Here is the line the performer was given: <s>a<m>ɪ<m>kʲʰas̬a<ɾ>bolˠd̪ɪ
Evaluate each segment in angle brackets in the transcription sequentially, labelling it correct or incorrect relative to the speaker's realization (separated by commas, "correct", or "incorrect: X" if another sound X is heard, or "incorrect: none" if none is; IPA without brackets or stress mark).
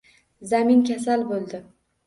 incorrect: z, correct, incorrect: n, incorrect: l